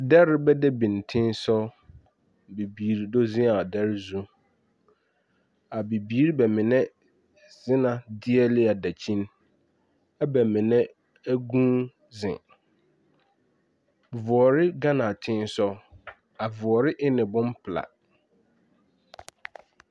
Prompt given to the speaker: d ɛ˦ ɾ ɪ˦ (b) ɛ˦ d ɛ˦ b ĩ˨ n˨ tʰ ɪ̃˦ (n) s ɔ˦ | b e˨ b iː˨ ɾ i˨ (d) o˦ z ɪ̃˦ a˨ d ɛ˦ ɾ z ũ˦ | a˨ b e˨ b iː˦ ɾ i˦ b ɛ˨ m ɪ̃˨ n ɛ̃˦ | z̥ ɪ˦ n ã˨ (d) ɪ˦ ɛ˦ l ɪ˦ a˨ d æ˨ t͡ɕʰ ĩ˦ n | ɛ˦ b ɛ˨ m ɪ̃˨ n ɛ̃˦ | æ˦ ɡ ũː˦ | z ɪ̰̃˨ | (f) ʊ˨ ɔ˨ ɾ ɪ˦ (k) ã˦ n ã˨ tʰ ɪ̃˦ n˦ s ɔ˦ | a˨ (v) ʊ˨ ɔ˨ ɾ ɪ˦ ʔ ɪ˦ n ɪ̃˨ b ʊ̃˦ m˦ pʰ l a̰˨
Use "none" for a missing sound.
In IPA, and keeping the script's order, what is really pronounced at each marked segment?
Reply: b, n, d, d, v, ɡ, v

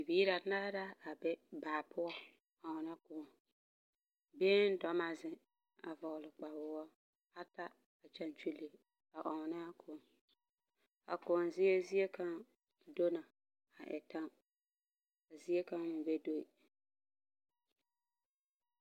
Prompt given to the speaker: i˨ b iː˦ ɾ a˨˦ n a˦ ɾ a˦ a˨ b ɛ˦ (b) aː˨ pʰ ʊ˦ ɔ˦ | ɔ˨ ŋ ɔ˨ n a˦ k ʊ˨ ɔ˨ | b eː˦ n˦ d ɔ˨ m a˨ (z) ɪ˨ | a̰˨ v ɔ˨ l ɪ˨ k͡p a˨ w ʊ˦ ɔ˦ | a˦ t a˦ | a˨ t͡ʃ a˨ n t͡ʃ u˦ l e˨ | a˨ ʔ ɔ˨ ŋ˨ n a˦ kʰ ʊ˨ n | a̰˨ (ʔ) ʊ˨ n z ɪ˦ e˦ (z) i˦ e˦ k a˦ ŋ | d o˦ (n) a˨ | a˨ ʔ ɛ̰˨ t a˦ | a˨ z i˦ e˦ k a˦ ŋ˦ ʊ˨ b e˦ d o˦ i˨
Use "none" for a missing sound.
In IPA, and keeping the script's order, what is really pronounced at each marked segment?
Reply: b, z, k, z, n

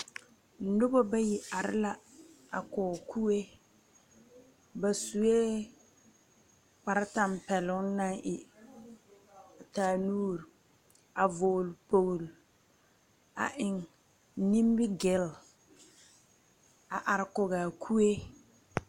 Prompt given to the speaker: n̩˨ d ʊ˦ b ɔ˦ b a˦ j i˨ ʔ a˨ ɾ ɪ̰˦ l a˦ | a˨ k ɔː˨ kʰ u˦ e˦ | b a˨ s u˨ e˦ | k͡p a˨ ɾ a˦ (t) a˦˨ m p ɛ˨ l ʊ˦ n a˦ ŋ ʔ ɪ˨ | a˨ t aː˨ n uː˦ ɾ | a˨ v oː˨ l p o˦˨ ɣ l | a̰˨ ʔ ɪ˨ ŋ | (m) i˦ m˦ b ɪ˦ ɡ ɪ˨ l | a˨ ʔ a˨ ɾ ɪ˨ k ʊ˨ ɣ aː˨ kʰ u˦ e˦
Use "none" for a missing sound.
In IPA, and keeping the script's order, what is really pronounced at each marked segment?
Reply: t, n

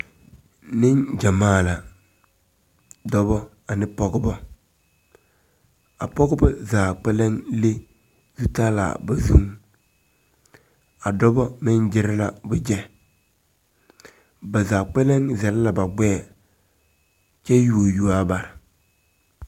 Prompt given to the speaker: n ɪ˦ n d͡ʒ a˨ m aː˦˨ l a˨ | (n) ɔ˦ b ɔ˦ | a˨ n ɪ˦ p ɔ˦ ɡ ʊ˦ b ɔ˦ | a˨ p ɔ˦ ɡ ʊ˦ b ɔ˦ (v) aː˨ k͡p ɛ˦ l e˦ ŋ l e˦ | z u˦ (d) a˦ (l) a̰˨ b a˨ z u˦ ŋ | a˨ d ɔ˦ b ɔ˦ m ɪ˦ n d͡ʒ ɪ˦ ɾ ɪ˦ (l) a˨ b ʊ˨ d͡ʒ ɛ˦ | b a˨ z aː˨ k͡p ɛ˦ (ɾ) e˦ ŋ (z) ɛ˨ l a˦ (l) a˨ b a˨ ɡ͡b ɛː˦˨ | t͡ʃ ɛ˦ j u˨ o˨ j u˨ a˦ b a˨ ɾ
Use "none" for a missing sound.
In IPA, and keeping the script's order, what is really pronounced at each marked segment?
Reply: d, z, t, l, l, l, z, l

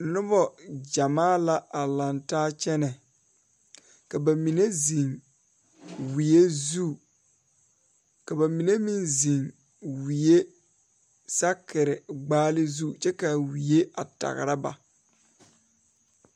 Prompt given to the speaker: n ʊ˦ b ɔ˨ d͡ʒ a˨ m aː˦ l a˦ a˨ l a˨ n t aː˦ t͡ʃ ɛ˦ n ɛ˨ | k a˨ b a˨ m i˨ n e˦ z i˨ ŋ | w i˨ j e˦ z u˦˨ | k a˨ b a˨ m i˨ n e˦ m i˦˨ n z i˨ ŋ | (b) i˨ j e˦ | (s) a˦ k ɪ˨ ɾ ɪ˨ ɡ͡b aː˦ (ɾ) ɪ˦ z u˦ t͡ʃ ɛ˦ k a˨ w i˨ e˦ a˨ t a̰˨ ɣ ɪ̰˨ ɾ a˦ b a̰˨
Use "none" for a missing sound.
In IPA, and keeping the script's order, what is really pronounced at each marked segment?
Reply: w, s, l

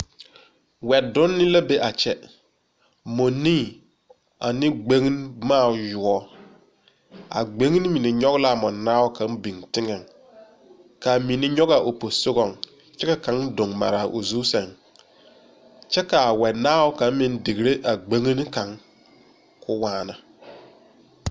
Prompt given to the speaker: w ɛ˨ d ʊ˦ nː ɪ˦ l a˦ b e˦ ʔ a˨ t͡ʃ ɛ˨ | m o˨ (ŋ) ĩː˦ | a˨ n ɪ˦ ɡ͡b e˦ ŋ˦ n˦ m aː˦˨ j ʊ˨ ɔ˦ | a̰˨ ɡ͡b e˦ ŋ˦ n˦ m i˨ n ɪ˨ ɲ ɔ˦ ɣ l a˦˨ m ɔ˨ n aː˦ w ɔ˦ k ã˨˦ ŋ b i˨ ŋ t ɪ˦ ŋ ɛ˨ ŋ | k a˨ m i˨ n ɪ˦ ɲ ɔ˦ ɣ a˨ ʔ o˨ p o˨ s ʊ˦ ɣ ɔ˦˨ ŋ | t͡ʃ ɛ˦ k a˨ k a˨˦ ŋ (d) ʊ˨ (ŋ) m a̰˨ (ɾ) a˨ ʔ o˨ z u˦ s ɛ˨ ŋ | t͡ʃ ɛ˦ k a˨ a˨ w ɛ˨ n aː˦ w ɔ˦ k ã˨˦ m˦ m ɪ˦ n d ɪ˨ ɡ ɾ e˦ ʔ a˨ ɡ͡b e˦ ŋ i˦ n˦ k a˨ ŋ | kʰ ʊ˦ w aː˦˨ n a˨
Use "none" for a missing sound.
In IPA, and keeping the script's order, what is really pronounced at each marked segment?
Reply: n, d, ŋ, ɾ

